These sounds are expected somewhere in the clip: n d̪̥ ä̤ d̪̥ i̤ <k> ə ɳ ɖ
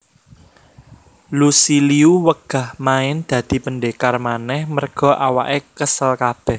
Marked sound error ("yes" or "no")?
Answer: yes